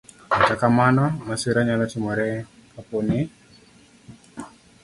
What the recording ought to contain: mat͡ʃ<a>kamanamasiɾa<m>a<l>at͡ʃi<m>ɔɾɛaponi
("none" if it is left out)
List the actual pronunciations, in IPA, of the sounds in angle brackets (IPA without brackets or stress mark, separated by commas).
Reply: a, ɲ, l, m